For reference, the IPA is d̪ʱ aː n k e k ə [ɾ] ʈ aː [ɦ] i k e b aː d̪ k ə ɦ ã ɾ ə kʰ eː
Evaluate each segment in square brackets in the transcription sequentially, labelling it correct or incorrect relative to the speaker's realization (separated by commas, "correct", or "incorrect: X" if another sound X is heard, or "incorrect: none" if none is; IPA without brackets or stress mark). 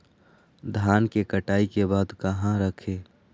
incorrect: none, incorrect: none